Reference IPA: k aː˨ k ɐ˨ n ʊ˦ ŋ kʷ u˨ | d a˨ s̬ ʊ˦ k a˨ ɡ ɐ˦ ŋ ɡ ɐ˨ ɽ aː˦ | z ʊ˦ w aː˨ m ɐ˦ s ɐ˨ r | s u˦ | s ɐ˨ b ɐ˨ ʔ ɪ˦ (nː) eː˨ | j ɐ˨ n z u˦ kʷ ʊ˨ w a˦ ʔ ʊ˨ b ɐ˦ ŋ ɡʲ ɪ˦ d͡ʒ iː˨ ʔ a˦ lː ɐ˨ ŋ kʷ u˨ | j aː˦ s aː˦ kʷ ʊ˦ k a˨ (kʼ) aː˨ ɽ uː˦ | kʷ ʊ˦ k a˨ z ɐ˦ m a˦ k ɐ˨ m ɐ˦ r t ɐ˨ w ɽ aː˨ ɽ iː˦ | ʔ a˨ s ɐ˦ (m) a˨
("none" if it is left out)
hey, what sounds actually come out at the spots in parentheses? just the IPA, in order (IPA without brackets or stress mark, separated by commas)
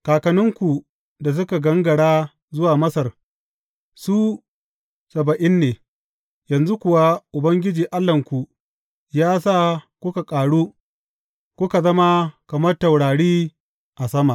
nː, kʼ, m